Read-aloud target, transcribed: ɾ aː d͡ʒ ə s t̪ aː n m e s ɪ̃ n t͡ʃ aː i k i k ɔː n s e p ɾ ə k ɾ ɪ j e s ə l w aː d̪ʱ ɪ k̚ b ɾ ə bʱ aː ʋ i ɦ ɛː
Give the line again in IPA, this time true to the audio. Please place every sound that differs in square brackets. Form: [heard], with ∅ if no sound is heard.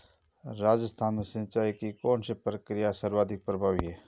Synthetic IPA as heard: ɾ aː d͡ʒ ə s [t̪ʰ] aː n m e s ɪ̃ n t͡ʃ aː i k i k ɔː n s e p ɾ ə k ɾ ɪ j [a] s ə [ɾ] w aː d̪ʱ ɪ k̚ [p] ɾ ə bʱ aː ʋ i ɦ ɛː